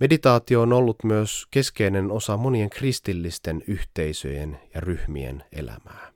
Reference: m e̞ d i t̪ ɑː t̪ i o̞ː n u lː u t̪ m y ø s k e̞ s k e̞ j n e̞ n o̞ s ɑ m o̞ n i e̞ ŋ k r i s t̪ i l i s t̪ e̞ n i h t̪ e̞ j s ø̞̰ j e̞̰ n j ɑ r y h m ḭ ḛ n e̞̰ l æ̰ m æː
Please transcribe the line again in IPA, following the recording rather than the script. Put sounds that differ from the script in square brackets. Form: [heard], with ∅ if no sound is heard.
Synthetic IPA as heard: m e̞ d i t̪ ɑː t̪ i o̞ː n [o] lː u t̪ m y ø s k e̞ s k e̞ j n e̞ n o̞ s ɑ m o̞ n i e̞ ŋ k r i s t̪ i [lː] i s t̪ e̞ n [y] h t̪ e̞ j s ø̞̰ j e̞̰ n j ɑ r y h m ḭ ḛ n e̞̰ l æ̰ m æː